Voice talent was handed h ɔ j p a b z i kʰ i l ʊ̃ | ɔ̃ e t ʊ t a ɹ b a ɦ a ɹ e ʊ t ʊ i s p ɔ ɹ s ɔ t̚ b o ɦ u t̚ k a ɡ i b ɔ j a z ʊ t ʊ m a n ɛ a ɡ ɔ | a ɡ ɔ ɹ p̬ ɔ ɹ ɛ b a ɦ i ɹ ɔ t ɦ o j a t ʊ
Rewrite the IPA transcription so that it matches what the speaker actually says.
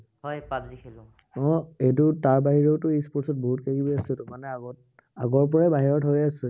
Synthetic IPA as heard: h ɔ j p a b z i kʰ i l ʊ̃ | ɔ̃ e t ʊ t a ɹ b a ɦ i ɹ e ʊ t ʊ i s p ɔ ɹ s ɔ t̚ b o ɦ u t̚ k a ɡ i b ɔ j a s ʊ t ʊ m a n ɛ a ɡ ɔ | a ɡ ɔ ɹ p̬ ɔ ɹ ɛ b a ɦ i ɹ ɔ t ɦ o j a s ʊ